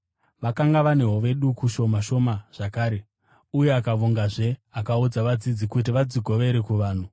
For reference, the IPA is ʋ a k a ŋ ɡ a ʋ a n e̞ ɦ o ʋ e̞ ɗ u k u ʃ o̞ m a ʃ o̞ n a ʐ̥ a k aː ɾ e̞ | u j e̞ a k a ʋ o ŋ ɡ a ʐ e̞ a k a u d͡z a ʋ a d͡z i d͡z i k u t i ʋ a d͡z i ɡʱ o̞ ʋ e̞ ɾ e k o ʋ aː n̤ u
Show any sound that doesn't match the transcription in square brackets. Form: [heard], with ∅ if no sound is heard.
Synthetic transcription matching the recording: ʋ a k a ŋ ɡ a ʋ a n e̞ ɦ o ʋ e̞ ɗ u k u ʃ o̞ m a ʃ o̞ [m] a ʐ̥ a k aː ɾ e̞ | u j e̞ a k a ʋ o ŋ ɡ a ʐ e̞ a k a u d͡z a ʋ a d͡z i d͡z i k u t i ʋ a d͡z i ɡʱ o̞ ʋ e̞ ɾ e k [u] ʋ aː n̤ u